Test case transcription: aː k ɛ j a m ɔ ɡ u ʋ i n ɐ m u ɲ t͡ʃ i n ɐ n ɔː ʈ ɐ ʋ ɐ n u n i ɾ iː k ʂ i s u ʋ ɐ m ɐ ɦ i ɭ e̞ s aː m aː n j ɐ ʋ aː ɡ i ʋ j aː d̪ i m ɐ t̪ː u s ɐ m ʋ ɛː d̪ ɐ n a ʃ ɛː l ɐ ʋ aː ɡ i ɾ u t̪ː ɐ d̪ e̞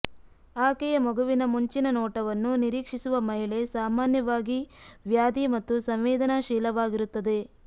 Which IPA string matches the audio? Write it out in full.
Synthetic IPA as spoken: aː k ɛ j ɐ m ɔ ɡ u ʋ i n ɐ m u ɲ t͡ʃ i n ɐ n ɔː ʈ ɐ ʋ ɐ nː u n i ɾ iː k ʂ i s u ʋ ɐ m ɐ ɦ i ɭ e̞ s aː m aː n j ɐ ʋ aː ɡ i ʋ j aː d̪ i m ɐ t̪ː u s ɐ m ʋ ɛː d̪ ɐ n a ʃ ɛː l ɐ ʋ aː ɡ i ɾ u t̪ː ɐ d̪ e̞